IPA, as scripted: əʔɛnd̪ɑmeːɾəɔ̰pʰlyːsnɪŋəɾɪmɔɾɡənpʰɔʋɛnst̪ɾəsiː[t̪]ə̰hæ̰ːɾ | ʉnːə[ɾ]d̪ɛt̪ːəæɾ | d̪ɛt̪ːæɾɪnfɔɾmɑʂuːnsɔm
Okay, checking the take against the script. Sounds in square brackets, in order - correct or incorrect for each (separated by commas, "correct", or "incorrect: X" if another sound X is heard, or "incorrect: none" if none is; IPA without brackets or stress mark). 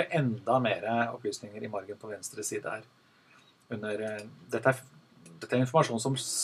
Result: incorrect: d̪, correct